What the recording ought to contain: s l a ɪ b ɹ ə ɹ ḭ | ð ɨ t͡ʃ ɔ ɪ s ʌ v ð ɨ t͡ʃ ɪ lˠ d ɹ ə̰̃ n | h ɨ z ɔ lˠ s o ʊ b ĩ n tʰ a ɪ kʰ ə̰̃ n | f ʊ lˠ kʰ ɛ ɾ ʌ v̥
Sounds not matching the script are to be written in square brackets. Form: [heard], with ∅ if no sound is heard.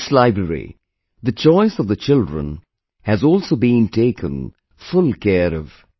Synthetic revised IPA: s l a ɪ b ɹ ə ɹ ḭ | ð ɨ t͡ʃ ɔ ɪ s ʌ v ð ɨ t͡ʃ ɪ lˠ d ɹ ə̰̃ n | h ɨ z ɔ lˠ s o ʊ b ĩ n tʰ [e] ɪ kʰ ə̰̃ n | f ʊ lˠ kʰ ɛ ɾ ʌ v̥